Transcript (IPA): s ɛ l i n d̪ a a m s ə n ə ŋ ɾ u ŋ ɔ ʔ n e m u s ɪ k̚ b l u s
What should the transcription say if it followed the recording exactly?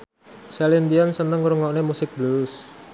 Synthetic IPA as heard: s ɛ l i n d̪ i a n s ə n ə ŋ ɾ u ŋ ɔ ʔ n e m u s ɪ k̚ b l u s